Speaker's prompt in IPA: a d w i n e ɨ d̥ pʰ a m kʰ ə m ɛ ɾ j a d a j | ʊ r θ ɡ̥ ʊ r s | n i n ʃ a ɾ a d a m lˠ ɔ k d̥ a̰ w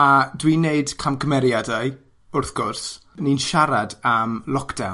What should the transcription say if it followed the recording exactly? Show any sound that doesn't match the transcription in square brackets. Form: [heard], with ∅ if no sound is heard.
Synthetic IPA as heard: a d w i n e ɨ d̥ [kʰ] a m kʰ ə m ɛ ɾ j a d a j | ʊ r θ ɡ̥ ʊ r s | n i n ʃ a ɾ a d a m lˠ ɔ k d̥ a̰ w